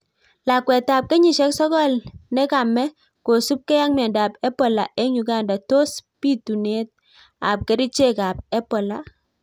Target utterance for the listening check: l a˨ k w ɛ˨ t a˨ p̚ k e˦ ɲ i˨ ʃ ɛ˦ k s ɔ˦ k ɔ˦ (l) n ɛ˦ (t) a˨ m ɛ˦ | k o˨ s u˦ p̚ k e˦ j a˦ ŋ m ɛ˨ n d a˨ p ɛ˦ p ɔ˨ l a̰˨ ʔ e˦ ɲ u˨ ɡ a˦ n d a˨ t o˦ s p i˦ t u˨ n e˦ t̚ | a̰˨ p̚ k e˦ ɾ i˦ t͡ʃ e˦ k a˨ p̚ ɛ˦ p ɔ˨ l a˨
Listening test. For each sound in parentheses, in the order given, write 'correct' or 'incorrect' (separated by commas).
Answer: correct, incorrect